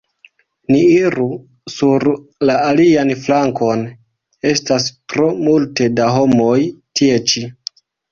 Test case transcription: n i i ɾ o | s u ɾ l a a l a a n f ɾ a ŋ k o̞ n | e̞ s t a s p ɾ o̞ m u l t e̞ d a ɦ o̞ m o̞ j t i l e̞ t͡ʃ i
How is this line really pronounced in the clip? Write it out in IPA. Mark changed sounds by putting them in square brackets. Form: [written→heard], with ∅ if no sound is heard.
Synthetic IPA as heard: n i i ɾ [o→u] | s u ɾ l a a l [a→i] a n f [ɾ→l] a ŋ k o̞ n | e̞ s t a s p ɾ o̞ m u l t e̞ d a ɦ o̞ m o̞ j t i [l→∅] e̞ t͡ʃ i